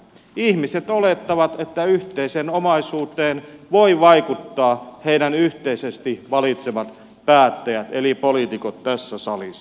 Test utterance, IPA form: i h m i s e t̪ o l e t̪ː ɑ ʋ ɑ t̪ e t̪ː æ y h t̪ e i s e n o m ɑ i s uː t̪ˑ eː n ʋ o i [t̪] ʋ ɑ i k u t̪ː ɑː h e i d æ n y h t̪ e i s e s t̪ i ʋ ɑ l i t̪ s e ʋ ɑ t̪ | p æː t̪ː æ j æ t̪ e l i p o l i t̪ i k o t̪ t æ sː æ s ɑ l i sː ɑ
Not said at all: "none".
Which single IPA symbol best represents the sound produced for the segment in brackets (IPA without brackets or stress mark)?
none